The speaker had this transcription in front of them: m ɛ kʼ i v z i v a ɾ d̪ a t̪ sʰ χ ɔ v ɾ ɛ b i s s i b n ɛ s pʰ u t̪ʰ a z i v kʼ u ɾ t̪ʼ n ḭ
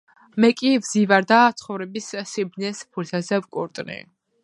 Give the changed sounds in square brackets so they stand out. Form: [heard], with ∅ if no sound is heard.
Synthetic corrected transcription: m ɛ kʼ i v z i v a ɾ d̪ a t̪ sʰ χ ɔ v ɾ ɛ b i s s i b n ɛ s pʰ u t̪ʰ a z [ɛ] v kʼ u ɾ t̪ʼ n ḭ